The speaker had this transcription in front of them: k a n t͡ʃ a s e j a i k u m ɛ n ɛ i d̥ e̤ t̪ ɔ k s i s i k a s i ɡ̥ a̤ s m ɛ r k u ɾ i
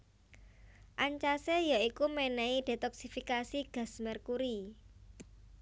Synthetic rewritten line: ʔ a ɲ t͡ʃ a s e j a i k u m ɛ n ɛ i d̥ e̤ t̪ ɔ k s i f i k a s i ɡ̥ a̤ s m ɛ r k u ɾ i

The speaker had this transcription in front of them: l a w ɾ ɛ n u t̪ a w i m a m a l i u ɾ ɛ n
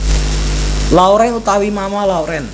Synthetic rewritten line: l a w ɾ ɛ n u t̪ a w i m a m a l a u ɾ ɛ n

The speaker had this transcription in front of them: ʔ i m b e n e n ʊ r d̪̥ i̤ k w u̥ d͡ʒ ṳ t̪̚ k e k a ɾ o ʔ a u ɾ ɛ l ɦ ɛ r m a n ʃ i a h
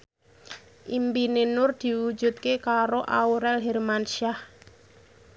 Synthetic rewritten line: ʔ i m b i n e n ʊ r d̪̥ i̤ w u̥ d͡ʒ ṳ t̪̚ k e k a ɾ o ʔ a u ɾ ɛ l ɦ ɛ r m a n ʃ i a h

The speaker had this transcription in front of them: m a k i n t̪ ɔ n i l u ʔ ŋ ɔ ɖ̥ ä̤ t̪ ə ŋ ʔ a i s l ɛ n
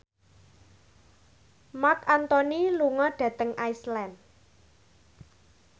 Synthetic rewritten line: m a k a n t̪ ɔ n i l u ŋ ɔ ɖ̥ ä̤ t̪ ə ŋ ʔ a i s l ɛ n

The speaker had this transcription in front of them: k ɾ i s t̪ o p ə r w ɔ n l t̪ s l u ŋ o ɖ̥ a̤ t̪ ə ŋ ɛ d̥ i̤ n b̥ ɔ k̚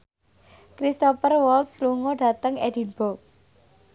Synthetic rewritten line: k ɾ i s t̪ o p ə r w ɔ l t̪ s l u ŋ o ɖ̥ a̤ t̪ ə ŋ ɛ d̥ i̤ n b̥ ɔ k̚

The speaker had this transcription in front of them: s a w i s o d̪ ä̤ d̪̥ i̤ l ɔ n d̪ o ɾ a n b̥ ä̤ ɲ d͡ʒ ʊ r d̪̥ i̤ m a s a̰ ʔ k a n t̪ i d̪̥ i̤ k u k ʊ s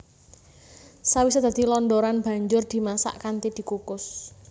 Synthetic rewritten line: s a w i s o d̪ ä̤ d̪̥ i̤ l ɔ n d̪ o ɾ a n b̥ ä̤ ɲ d͡ʒ ʊ r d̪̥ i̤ m a s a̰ ʔ k a n t̪ i d̪̥ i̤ k u k ʊ s

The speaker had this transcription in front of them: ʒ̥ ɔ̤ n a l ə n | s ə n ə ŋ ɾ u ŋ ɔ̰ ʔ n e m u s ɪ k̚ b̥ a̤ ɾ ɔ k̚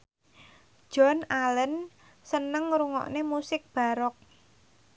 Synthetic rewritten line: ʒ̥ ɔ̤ n a l ə n | s ə n ə ŋ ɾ u ŋ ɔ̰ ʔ n e m u s ɪ k̚ b̥ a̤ ɾ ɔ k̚

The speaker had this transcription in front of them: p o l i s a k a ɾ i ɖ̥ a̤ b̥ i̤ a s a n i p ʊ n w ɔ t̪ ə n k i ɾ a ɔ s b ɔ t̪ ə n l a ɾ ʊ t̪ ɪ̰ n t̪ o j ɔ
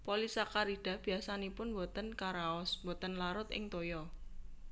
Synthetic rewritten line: p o l i s a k a ɾ i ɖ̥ a̤ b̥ i̤ a s a n i p ʊ n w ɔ t̪ ə n k a ɾ a ɔ s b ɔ t̪ ə n l a ɾ ʊ t̪ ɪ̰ ŋ t̪ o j ɔ

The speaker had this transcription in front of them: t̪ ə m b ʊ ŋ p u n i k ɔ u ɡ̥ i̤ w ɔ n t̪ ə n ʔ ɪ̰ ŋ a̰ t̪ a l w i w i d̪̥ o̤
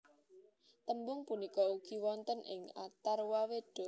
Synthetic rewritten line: t̪ ə m b ʊ ŋ p u n i k ɔ u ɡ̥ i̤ w ɔ n t̪ ə n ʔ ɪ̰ ŋ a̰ t̪ a r w a w e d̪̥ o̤

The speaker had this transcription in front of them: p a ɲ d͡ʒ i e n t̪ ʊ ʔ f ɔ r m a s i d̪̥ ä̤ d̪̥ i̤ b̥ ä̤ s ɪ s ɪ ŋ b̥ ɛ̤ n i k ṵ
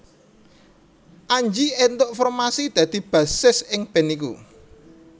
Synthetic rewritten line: ʔ a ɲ d͡ʒ i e n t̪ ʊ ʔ f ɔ r m a s i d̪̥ ä̤ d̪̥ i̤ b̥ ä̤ s ɪ s ɪ ŋ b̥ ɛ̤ n i k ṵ

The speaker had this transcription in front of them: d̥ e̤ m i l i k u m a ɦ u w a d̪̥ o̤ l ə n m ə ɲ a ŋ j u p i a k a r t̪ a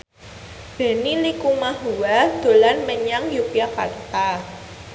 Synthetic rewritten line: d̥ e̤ n i l i k u m a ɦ u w a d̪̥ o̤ l a n m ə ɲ a ŋ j u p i a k a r t̪ a

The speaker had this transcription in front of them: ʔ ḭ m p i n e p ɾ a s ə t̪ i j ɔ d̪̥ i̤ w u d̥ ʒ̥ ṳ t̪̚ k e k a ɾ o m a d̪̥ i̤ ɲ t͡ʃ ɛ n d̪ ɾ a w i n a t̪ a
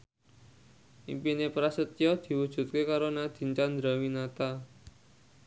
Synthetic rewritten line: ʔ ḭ m p i n e p ɾ a s ə t̪ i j ɔ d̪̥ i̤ w u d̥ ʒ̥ ṳ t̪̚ k e k a ɾ o n a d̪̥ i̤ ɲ t͡ʃ a n d̪ ɾ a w i n a t̪ a

